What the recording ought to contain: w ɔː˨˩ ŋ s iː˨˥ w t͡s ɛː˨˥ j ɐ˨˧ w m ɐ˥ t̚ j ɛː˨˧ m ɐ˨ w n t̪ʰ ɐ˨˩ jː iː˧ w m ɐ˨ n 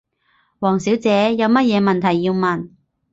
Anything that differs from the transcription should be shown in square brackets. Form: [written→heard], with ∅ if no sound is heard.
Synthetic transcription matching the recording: w ɔː˨˩ ŋ s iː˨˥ w t͡s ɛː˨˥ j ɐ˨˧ w m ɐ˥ t̚ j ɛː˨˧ m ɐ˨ [w→∅] n t̪ʰ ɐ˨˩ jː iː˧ w m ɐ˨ n